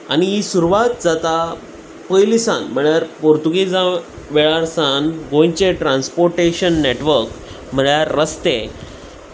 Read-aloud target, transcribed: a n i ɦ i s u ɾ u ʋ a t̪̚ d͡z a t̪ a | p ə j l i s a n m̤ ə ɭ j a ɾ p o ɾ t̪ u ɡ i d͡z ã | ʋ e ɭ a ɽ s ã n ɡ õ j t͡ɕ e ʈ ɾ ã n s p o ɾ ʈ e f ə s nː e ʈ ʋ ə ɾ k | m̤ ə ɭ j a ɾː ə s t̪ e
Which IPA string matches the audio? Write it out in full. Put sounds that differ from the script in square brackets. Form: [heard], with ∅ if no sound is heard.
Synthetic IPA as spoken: a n i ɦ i s u ɾ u ʋ a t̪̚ d͡z a t̪ a | p ə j l i s a n m̤ ə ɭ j a ɾ p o ɾ t̪ u ɡ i d͡z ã | ʋ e ɭ a [ɾ] s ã n ɡ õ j t͡ɕ e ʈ ɾ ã n s p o ɾ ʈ e [ɕ] ə [∅] nː e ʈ ʋ ə ɾ k | m̤ ə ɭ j a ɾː ə s t̪ e